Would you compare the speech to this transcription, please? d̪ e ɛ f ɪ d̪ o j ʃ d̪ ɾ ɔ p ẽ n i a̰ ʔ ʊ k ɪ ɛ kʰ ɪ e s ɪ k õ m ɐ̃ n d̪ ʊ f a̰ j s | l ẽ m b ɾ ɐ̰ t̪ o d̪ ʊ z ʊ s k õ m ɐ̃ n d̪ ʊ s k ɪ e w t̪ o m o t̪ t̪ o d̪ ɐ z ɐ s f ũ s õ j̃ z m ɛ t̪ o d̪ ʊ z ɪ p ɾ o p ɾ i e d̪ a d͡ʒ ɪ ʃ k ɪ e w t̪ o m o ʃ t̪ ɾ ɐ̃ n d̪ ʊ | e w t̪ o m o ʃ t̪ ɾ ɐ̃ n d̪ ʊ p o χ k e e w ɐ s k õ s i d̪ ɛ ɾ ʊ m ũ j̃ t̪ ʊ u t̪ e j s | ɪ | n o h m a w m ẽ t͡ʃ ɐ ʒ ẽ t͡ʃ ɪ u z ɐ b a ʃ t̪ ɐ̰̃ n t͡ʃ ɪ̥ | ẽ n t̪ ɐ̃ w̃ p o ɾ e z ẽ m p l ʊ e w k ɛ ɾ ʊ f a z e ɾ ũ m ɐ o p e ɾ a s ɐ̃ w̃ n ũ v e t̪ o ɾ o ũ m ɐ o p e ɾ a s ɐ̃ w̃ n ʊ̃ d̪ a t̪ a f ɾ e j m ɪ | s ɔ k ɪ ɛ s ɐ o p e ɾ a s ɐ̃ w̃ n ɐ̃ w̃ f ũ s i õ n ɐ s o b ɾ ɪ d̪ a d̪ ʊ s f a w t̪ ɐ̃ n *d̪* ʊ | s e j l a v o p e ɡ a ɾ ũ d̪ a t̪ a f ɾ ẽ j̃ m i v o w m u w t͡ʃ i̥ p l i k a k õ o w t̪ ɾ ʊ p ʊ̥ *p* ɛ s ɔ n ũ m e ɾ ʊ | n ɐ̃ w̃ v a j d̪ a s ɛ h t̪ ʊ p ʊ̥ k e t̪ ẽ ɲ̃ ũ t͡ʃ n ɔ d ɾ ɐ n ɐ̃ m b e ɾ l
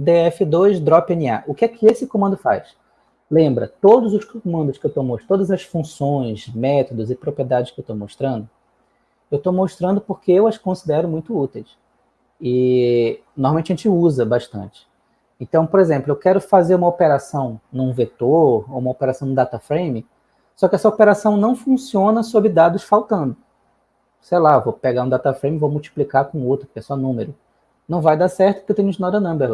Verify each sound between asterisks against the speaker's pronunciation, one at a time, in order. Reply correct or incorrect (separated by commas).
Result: correct, incorrect